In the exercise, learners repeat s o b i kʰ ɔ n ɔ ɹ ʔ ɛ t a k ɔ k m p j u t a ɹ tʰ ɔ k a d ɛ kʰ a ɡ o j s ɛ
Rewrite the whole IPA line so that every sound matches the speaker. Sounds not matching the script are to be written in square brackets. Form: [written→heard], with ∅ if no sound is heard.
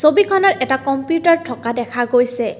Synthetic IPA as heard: s o b i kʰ ɔ n ɔ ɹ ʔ ɛ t a k ɔ [k→∅] m p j u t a ɹ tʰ ɔ k a d ɛ kʰ a ɡ o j s ɛ